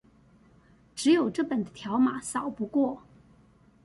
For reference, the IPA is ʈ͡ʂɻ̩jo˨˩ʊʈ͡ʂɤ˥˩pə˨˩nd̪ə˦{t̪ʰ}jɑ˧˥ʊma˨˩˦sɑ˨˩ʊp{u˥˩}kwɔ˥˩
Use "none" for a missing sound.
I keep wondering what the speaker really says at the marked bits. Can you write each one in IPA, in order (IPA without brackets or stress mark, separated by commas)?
t̪ʰ, u˧˥